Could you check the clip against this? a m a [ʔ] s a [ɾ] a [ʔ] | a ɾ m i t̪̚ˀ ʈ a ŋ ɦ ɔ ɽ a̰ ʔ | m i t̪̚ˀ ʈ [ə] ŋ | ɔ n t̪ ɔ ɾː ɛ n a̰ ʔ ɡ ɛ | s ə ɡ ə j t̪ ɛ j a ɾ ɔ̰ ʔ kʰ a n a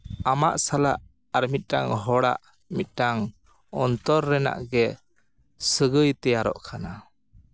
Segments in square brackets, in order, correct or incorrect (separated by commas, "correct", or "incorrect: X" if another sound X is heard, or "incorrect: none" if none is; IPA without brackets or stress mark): correct, incorrect: l, correct, incorrect: a